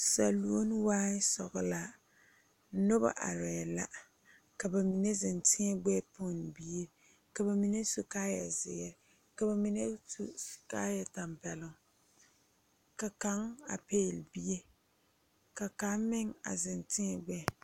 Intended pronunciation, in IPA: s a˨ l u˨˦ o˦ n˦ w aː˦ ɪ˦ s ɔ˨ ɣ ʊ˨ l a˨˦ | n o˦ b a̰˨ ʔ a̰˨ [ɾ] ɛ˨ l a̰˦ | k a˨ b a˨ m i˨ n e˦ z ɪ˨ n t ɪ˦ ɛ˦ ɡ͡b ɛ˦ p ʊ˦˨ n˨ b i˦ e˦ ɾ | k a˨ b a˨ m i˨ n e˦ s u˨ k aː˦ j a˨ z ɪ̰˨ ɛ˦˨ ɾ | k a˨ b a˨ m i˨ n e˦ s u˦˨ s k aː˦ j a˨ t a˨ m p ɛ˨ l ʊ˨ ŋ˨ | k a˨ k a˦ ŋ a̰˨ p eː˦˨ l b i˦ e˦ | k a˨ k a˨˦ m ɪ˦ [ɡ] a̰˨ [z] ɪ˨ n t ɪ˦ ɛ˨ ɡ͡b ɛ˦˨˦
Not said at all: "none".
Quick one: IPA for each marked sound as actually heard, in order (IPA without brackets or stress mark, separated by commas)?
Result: ɾ, ŋ, z